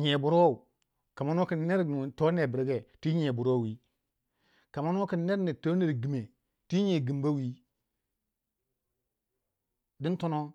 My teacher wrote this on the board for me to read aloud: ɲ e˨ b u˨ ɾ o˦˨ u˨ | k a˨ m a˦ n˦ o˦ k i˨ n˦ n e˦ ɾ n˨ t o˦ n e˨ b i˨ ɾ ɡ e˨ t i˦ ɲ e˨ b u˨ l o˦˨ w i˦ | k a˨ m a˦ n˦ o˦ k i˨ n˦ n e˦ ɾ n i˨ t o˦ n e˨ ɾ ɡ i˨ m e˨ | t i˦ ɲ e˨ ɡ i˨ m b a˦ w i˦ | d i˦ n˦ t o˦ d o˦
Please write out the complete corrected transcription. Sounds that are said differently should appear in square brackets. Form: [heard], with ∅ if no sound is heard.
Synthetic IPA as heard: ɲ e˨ b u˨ ɾ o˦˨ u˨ | k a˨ m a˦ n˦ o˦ k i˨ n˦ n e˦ ɾ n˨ t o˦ n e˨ b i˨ ɾ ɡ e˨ t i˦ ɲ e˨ b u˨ [ɾ] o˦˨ w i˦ | k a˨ m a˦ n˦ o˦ k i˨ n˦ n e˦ ɾ n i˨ t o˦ n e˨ ɾ ɡ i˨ m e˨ | t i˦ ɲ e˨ ɡ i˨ m b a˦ w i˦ | d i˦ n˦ t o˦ [n] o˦

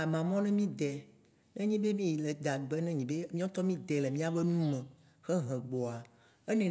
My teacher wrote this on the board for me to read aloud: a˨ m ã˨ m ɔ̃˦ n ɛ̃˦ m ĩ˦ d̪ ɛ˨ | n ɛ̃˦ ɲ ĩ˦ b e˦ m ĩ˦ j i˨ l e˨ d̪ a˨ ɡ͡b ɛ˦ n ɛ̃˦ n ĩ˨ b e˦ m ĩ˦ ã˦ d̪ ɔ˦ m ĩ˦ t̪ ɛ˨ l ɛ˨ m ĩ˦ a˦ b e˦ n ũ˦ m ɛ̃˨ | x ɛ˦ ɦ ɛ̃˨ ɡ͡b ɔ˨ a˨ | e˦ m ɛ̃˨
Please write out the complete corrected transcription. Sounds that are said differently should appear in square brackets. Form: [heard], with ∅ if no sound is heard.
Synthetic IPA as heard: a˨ m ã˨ m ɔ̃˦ n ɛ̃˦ m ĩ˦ d̪ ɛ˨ | n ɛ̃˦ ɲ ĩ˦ b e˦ m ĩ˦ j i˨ l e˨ d̪ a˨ ɡ͡b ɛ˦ n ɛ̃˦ [ɲ] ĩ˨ b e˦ m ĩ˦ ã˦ [t̪] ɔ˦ m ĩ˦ [d̪] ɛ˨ l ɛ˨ m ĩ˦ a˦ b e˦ n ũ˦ m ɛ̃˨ | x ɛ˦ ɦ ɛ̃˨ ɡ͡b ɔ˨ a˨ | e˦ [n] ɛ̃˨

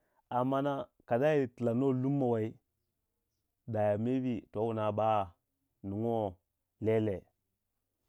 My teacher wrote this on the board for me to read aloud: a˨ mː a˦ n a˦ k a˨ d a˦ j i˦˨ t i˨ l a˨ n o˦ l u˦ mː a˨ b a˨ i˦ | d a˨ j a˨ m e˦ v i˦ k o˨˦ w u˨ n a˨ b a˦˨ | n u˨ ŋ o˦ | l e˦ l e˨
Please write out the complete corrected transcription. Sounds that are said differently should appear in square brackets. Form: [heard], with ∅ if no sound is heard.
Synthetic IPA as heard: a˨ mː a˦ n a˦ k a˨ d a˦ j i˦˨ t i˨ l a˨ n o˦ l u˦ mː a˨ [w] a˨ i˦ | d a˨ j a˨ m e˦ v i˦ [t] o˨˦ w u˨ n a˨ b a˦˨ | n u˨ ŋ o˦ | l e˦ l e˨

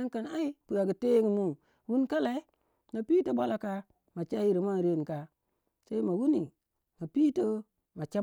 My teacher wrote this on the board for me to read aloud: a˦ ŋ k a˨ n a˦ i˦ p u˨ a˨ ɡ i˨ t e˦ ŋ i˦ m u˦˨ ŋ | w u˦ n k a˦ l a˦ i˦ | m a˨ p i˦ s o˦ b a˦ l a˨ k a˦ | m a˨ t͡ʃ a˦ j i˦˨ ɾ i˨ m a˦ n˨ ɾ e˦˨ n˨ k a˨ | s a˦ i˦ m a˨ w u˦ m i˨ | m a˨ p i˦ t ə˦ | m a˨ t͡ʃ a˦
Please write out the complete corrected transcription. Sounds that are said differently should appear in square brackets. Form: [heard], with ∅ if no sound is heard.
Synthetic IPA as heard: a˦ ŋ k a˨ n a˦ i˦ p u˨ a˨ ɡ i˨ t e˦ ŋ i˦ m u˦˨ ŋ | w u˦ n k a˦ l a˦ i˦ | m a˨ p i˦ [t] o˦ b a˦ l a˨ k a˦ | m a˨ t͡ʃ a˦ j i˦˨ ɾ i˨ m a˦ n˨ ɾ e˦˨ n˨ k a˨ | s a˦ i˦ m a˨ w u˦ [n] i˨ | m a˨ p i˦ t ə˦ | m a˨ t͡ʃ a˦

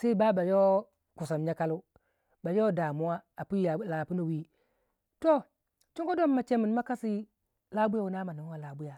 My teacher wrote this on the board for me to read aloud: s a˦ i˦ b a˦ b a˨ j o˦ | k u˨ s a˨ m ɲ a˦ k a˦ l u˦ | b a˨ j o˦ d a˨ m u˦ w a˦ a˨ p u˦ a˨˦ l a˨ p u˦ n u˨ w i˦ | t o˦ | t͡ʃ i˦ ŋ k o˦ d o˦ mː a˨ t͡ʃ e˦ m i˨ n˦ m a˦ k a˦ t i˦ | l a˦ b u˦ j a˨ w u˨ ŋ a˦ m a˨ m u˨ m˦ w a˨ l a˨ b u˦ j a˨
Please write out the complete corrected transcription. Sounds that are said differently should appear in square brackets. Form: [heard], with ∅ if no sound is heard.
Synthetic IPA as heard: s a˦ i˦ b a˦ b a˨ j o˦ | k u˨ s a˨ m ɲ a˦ k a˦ l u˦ | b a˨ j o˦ d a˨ m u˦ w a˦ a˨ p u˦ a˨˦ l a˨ p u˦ n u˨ w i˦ | t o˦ | t͡ʃ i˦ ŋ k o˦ d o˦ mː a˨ t͡ʃ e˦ m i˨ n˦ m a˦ k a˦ [s] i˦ | l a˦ b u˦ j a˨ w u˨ [n] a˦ m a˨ [n] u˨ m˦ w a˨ l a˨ b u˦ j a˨

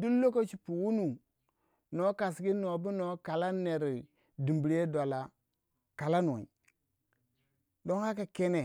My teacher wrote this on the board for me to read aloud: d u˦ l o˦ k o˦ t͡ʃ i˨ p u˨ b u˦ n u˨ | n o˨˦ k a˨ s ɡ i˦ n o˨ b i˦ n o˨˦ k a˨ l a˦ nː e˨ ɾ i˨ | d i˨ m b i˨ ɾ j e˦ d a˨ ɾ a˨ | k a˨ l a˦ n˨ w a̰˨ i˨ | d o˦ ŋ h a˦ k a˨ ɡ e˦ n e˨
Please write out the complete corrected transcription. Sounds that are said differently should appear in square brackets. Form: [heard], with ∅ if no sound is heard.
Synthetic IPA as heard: d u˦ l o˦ k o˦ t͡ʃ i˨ p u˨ [w] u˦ n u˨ | n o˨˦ k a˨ s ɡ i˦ n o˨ b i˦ n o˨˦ k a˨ l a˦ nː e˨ ɾ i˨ | d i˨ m b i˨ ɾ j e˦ d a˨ [l] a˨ | k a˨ l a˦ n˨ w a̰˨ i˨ | d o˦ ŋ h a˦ k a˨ [k] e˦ n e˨

